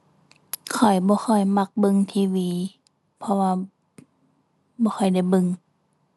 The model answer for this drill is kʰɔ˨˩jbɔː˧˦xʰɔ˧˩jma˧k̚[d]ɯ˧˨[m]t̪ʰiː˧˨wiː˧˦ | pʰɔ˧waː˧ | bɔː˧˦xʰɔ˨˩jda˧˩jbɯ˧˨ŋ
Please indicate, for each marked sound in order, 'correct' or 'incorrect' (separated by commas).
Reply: incorrect, incorrect